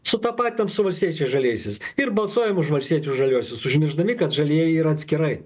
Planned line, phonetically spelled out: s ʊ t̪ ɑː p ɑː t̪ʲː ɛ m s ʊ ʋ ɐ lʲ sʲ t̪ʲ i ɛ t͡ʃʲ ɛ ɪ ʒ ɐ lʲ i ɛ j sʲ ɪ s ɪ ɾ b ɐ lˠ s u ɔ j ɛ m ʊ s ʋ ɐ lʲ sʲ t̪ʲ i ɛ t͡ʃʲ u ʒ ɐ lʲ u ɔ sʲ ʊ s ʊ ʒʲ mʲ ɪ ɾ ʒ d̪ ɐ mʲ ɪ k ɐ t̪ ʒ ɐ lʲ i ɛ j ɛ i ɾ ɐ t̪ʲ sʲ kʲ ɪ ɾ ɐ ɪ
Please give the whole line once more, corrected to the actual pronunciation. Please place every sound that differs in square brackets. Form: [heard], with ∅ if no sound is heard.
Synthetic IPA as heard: s ʊ t̪ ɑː p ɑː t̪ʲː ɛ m s ʊ ʋ ɐ lʲ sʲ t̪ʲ i ɛ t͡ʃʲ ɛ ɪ ʒ ɐ lʲ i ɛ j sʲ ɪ s ɪ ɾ b ɐ lˠ s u ɔ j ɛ m ʊ [ʃ] ʋ ɐ lʲ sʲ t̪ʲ i ɛ t͡ʃʲ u ʒ ɐ lʲ u ɔ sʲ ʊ s ʊ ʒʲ mʲ ɪ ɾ ʒ d̪ ɐ mʲ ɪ k ɐ t̪ ʒ ɐ lʲ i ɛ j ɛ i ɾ ɐ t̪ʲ sʲ kʲ ɪ ɾ ɐ ɪ